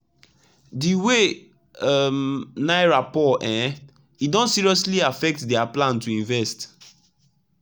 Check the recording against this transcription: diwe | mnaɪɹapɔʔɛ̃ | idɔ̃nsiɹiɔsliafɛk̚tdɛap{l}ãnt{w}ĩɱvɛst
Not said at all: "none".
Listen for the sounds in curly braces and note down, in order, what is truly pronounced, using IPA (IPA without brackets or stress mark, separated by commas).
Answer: l, u